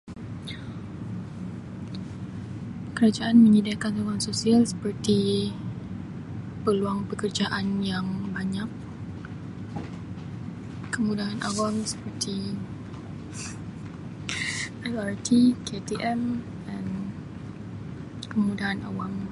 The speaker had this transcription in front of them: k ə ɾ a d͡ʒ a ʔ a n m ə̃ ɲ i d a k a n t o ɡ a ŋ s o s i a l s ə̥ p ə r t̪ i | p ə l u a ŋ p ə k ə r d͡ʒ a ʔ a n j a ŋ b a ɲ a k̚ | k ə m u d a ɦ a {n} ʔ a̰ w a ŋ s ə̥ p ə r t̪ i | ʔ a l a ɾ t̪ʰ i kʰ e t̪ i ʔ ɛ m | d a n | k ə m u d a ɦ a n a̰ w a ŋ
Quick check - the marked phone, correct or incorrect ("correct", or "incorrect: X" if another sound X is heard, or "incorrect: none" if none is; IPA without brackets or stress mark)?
correct